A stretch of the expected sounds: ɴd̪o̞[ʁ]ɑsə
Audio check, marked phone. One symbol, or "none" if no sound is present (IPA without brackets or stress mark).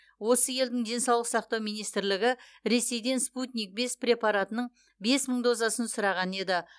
z